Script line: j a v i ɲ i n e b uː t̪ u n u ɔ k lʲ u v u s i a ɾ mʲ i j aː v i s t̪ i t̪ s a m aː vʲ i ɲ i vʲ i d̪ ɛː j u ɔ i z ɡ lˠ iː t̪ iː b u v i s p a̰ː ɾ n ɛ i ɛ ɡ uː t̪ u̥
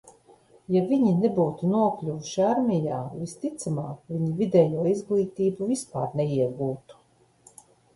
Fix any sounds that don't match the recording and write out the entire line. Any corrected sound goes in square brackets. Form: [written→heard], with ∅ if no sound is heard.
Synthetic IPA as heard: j a v i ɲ i n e b uː t̪ u n u ɔ k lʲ u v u [s→ʃ] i a ɾ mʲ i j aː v i s t̪ i t̪ s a m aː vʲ i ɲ i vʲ i d̪ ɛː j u ɔ i z ɡ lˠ iː t̪ iː b u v i s p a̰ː ɾ n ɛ i ɛ ɡ uː t̪ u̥